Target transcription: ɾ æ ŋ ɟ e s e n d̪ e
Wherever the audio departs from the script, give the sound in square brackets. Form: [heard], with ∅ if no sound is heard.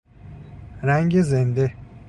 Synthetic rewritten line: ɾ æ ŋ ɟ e [z] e n d̪ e